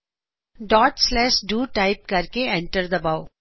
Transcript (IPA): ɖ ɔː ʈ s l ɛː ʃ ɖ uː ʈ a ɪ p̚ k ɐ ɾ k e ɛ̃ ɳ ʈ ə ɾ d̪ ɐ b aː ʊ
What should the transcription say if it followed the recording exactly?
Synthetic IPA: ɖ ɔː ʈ s l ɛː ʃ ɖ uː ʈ a ɪ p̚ k ɐ ɾ k e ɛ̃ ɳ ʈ ə ɾ d̪ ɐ b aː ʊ